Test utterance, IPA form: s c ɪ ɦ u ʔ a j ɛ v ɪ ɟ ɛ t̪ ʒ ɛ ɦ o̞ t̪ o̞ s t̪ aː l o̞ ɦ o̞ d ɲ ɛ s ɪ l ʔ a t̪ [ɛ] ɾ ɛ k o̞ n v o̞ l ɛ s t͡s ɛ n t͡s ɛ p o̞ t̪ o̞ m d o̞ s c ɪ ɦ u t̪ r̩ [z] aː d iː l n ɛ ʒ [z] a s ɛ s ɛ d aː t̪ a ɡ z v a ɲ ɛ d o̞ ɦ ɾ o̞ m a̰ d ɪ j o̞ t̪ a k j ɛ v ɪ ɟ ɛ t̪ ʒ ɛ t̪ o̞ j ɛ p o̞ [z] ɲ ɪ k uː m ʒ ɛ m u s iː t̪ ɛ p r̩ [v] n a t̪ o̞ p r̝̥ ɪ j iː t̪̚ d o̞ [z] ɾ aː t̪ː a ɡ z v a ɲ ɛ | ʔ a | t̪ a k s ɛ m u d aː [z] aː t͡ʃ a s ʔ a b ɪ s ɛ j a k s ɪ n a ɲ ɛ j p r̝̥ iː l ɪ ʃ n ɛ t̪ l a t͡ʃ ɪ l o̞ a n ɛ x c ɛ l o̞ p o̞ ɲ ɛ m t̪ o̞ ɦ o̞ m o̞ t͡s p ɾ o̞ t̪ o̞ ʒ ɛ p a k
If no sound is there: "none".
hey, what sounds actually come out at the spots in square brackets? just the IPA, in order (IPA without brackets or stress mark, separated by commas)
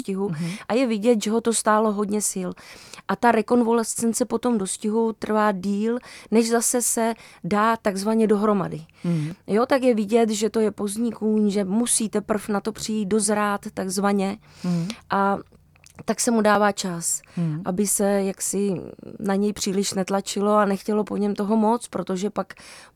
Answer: a, v, z, z, f, z, v